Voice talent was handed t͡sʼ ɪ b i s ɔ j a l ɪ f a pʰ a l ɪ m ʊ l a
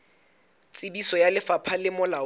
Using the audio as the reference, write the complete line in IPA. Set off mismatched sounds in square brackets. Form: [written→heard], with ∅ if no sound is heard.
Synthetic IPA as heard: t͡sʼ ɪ b i s ɔ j a l ɪ f a pʰ a l ɪ m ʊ l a